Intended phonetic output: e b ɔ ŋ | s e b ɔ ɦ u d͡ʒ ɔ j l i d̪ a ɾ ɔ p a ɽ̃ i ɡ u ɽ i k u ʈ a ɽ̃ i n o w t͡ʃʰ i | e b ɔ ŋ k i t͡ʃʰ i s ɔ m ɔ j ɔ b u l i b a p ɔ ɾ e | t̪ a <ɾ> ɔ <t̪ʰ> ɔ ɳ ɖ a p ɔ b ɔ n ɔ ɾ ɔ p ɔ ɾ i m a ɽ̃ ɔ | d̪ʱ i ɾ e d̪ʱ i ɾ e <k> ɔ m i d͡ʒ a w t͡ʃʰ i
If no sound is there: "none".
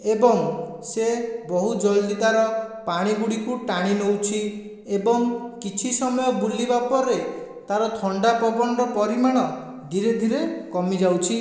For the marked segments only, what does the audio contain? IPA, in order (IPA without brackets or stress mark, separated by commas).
ɾ, t̪ʰ, k